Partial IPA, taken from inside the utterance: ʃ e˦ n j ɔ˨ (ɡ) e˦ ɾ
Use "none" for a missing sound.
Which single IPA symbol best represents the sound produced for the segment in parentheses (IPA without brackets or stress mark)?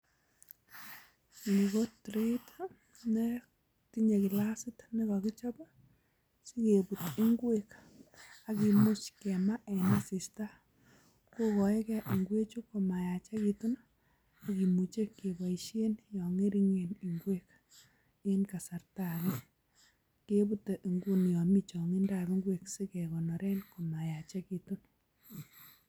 ŋ